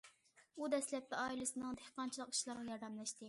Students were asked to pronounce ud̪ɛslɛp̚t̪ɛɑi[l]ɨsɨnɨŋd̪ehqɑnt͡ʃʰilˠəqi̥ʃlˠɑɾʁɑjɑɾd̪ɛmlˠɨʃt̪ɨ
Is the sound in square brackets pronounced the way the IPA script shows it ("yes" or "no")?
yes